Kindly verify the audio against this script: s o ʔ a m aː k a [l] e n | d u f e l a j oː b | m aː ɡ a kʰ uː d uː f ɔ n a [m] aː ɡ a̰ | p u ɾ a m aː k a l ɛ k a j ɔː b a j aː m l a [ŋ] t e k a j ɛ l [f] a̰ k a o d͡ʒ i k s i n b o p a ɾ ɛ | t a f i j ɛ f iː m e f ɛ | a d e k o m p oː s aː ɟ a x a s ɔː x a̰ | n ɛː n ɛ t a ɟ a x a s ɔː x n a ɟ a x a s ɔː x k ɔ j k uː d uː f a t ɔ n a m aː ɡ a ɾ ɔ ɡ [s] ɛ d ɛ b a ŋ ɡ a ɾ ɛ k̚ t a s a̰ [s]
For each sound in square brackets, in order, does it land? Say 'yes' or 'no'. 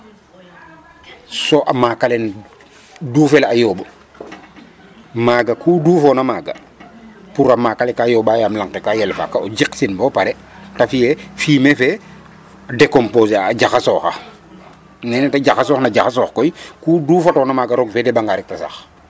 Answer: yes, yes, yes, yes, no, no

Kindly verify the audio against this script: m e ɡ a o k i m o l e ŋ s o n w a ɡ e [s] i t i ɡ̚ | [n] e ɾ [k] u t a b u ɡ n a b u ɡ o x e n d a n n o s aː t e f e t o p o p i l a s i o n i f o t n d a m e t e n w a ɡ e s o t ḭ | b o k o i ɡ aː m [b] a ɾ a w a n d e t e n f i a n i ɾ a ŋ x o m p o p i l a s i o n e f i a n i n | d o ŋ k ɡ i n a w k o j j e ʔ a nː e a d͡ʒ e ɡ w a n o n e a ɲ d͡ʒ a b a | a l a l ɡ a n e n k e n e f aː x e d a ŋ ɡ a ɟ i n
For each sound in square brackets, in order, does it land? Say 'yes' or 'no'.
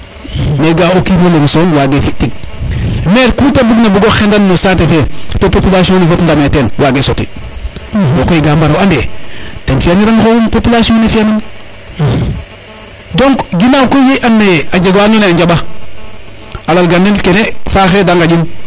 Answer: no, no, yes, yes

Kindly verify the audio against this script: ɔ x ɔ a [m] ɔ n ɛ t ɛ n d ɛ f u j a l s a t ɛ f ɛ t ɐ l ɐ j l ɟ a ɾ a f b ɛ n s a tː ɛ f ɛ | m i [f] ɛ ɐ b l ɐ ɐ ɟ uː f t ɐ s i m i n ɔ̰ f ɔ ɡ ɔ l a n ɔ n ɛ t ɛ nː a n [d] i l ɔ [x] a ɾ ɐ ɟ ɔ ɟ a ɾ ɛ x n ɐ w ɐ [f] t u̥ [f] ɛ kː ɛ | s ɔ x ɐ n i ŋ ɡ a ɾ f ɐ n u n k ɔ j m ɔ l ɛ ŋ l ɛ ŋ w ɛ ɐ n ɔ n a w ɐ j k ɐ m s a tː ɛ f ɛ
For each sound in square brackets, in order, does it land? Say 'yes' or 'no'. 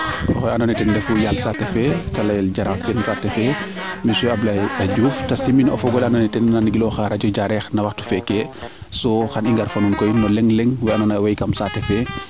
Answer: no, no, no, yes, no, yes

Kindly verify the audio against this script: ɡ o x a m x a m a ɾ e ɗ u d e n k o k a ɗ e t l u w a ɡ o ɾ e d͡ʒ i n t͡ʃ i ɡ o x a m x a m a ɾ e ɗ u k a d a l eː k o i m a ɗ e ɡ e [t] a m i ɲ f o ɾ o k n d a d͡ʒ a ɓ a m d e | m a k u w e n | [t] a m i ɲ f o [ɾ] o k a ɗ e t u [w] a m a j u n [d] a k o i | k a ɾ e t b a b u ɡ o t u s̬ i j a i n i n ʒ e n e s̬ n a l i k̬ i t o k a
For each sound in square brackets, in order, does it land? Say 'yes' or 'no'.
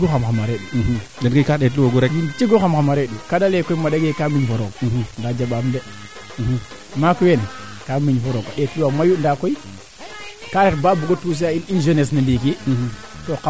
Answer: no, no, yes, yes, yes

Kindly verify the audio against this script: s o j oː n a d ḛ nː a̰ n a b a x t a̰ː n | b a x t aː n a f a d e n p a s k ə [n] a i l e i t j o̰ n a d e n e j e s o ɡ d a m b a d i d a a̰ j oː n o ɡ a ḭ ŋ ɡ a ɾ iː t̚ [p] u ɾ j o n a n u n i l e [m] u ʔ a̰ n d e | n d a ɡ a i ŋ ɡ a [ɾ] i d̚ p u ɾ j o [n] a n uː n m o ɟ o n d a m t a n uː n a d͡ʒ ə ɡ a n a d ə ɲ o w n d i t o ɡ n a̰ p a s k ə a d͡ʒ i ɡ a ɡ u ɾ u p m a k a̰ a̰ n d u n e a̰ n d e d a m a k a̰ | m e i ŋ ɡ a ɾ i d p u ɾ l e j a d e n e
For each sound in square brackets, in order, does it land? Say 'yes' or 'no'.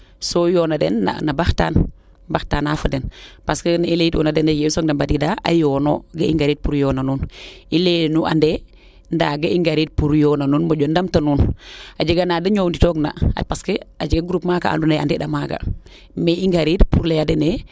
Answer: yes, yes, no, yes, yes

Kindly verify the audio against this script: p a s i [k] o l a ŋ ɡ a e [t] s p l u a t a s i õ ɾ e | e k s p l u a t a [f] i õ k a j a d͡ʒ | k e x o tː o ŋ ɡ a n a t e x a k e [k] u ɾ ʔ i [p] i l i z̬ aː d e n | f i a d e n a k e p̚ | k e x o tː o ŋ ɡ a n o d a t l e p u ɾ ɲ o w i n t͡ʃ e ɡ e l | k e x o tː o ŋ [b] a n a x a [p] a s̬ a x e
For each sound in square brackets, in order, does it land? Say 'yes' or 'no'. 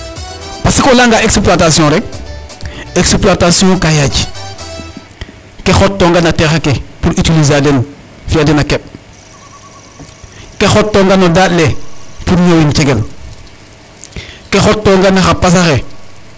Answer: yes, no, no, no, no, no, yes

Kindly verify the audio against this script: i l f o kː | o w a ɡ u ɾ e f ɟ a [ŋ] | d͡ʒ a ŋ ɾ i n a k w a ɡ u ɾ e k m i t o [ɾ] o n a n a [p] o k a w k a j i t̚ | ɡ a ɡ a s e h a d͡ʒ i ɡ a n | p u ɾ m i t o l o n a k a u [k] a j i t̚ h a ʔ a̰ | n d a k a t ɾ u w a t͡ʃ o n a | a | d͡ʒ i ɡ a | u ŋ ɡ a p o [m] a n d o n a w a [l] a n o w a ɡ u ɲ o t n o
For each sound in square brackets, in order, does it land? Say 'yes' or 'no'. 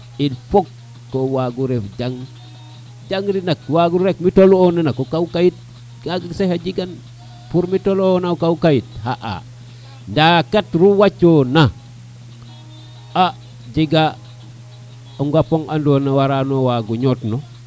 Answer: yes, no, no, yes, no, no

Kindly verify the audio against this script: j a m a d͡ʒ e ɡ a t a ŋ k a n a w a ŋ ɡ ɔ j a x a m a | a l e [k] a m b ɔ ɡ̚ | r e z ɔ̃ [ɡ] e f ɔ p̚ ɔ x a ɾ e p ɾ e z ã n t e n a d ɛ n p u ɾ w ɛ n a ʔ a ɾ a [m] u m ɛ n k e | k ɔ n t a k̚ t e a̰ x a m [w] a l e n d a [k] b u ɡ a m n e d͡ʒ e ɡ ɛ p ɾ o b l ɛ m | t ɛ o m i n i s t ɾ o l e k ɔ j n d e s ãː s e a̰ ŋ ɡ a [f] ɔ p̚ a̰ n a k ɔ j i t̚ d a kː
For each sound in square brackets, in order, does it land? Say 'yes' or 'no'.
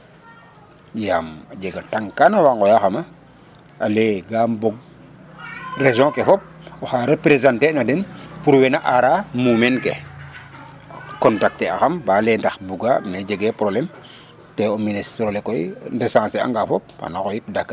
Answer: no, no, yes, no, no, yes

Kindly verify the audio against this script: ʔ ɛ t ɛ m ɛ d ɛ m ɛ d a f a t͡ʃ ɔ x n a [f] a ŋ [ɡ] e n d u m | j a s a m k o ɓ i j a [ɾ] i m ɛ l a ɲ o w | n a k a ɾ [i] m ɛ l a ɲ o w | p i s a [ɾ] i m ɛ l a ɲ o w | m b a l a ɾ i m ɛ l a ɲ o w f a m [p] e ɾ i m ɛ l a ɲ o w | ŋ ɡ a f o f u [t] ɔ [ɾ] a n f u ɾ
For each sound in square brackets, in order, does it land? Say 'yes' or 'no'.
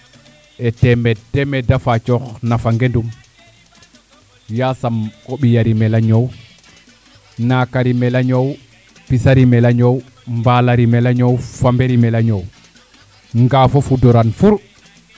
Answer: yes, yes, yes, yes, yes, no, no, yes

